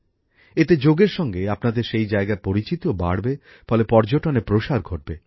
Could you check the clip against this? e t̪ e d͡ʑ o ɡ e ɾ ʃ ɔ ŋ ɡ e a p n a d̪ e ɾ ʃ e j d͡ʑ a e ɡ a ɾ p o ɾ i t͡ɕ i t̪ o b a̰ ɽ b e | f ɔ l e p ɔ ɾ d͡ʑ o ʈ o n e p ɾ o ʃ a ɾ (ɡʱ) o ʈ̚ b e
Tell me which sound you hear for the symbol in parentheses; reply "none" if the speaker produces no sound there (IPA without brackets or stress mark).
ɡʱ